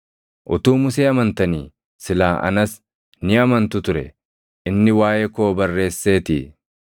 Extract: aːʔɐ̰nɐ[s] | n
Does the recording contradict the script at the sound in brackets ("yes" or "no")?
no